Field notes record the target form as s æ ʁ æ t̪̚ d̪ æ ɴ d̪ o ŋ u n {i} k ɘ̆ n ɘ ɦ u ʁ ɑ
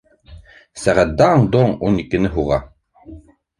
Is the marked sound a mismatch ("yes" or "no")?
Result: no